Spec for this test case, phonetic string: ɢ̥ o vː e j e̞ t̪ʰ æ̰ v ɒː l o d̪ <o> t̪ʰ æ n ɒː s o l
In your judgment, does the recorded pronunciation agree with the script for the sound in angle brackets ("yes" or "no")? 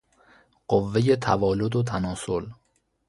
yes